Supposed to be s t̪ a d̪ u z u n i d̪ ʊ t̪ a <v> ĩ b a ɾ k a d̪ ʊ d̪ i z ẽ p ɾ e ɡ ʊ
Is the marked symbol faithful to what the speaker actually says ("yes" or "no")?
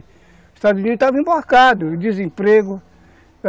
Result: yes